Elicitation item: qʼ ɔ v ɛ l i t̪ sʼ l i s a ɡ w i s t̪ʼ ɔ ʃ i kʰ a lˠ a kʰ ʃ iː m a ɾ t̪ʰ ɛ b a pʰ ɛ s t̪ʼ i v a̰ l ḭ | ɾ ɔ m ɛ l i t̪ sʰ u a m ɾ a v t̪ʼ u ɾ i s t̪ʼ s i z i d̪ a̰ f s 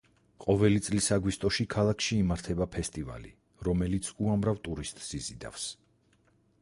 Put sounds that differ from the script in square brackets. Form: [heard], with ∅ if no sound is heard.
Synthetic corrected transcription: qʼ ɔ v ɛ l i t̪ sʼ l i s a ɡ w i s t̪ʼ ɔ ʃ i kʰ a lˠ a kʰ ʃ iː m a ɾ t̪ʰ ɛ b a pʰ ɛ s t̪ʼ i v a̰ l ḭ | ɾ ɔ m ɛ l i t̪ sʰ u a m ɾ a v t̪ʼ u ɾ i s t̪ʼ s i z i d̪ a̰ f s